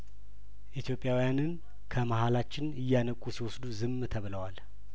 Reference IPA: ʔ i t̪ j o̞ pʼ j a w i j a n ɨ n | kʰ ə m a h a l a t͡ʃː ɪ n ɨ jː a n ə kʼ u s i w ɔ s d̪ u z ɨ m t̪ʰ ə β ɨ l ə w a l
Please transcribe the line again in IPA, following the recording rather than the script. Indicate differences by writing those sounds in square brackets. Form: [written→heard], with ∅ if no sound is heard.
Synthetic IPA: ʔ i t̪ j o̞ pʼ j a w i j a n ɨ n | kʰ ə m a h a l a t͡ʃː ɪ n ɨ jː a n ə kʼ u s i w ɔ s d̪ u z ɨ m t̪ʰ ə β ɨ l ə w a l